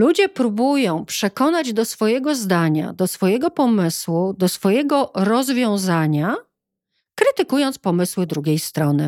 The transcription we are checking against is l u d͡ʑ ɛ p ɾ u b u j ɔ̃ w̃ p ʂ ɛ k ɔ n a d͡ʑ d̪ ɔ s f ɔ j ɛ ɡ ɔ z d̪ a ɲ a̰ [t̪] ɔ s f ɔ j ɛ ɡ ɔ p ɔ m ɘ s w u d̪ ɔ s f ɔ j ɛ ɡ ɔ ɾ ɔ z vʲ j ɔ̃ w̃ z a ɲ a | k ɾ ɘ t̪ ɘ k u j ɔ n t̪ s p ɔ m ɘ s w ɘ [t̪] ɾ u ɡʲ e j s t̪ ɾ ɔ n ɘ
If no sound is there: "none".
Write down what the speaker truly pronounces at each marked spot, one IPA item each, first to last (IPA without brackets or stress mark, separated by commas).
d̪, d̪